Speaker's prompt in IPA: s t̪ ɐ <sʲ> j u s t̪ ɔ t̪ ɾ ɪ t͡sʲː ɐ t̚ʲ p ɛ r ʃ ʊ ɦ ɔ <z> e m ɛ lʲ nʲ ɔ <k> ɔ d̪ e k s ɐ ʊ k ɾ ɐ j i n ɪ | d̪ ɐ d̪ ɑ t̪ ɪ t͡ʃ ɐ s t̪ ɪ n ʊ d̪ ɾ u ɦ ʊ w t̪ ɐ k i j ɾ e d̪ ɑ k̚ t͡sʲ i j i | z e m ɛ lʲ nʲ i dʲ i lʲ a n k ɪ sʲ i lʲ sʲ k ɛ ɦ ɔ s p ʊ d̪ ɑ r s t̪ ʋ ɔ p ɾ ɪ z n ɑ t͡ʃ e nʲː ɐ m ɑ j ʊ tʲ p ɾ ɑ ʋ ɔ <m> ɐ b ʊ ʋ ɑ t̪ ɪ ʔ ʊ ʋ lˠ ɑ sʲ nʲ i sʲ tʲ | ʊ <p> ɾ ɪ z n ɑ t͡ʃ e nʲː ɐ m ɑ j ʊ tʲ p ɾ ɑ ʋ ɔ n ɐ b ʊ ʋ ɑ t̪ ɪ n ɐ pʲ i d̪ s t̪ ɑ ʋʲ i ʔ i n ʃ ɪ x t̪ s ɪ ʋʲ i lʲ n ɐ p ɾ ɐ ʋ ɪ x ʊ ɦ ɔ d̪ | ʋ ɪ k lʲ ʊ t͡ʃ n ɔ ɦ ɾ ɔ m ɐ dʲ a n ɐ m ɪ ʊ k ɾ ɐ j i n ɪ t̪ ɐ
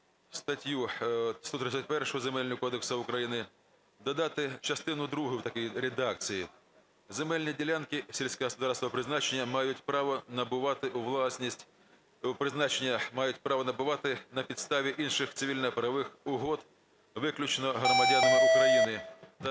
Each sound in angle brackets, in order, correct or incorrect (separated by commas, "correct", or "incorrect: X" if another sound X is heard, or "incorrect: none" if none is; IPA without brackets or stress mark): incorrect: tʲ, correct, correct, incorrect: n, correct